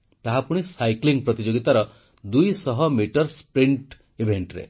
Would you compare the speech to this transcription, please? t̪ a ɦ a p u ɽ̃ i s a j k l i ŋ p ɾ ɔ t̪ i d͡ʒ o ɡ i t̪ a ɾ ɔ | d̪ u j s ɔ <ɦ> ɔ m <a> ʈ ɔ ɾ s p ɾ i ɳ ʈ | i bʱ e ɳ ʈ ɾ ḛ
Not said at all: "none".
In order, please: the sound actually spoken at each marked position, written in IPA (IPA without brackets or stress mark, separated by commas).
ɦ, i